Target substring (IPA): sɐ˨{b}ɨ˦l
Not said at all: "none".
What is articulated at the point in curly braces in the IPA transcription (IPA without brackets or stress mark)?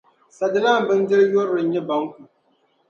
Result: d